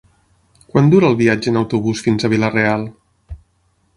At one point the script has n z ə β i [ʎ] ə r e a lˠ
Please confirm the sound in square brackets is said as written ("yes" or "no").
no